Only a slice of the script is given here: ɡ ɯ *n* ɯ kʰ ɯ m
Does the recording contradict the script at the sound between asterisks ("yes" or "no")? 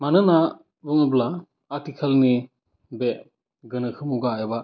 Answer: no